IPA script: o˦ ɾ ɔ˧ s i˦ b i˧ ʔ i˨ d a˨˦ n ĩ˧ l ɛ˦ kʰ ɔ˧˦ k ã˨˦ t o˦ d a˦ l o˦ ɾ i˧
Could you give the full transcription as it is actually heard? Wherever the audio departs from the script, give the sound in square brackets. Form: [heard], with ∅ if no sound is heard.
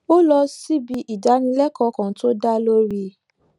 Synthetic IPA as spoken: o˦ [l] ɔ˧ s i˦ b i˧ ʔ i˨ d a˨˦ n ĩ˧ l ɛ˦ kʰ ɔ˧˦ k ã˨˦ t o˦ d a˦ l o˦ ɾ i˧